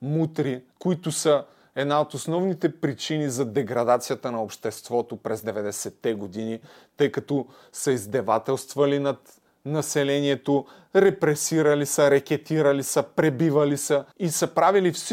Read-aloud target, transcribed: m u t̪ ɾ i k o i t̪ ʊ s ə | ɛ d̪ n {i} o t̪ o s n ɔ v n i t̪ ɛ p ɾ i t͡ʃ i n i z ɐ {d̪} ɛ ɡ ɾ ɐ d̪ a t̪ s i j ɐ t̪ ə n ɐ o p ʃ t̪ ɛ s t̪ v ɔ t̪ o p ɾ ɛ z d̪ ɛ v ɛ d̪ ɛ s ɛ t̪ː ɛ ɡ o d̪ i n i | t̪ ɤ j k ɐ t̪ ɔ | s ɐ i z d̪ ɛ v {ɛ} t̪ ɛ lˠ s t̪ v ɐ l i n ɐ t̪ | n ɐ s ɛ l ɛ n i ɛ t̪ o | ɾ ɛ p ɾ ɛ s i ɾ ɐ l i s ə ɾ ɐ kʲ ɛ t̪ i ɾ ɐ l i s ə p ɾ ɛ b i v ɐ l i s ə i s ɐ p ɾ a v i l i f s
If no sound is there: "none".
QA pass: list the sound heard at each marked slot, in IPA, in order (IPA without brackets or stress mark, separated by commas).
a, d̪, a